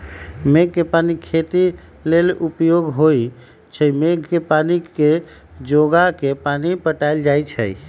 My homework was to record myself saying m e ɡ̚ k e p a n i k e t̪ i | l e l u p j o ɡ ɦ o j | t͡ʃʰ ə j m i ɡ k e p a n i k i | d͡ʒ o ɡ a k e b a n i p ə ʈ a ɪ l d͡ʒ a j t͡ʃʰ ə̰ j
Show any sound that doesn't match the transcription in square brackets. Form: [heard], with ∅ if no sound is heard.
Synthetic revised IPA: m e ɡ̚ k e p a n i [kʰ] e t̪ i | l e l u p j o ɡ ɦ o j | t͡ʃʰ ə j m [e] ɡ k e p a n i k [e] | d͡ʒ o ɡ a k e [p] a n i p ə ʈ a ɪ l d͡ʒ a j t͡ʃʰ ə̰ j